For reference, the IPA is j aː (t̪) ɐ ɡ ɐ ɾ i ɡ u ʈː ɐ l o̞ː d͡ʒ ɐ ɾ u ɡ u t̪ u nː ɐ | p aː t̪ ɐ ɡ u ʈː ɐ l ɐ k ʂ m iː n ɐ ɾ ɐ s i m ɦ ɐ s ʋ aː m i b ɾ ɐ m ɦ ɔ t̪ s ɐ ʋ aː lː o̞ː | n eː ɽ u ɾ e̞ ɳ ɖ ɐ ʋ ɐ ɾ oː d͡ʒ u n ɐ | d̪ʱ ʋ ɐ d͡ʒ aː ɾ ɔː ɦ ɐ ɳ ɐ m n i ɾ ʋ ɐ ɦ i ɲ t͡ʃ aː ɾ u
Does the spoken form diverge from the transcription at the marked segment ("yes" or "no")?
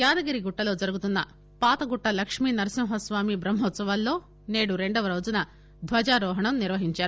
yes